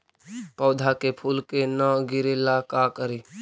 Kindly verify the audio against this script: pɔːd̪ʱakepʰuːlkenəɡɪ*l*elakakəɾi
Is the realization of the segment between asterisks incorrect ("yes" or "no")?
yes